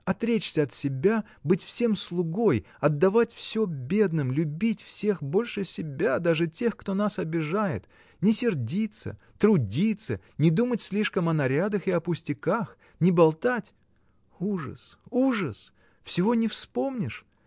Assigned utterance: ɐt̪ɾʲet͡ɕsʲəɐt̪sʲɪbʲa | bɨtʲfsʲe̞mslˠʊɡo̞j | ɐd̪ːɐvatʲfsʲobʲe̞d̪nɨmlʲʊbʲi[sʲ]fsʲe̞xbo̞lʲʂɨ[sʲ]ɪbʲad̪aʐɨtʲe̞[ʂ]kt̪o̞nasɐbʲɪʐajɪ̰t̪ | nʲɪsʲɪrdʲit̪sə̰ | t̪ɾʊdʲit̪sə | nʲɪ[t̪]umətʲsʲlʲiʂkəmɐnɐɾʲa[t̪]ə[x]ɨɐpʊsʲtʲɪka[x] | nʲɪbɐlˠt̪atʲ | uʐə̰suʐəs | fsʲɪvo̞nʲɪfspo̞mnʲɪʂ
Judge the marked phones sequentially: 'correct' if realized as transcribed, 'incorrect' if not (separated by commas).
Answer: incorrect, correct, incorrect, incorrect, incorrect, correct, correct